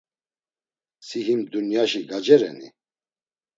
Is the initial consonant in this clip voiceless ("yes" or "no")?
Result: yes